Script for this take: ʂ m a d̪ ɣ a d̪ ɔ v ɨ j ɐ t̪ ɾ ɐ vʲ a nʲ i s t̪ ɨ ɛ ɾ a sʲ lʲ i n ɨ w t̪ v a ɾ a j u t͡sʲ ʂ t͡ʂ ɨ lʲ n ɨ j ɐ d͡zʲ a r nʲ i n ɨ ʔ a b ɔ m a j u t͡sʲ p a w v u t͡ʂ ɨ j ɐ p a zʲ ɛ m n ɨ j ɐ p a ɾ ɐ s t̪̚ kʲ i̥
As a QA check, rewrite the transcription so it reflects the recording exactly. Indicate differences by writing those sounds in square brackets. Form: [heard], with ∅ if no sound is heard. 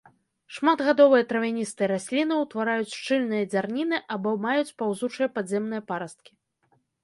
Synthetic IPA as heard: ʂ m a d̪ ɣ a d̪ ɔ v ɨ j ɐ t̪ ɾ ɐ vʲ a nʲ i s t̪ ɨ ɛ ɾ a sʲ lʲ i n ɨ w t̪ v a ɾ a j u t͡sʲ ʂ t͡ʂ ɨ lʲ n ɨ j ɐ d͡zʲ a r nʲ i n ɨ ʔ a b ɔ m a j u t͡sʲ p a w [z] u t͡ʂ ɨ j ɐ p a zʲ ɛ m n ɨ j ɐ p a ɾ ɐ s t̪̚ kʲ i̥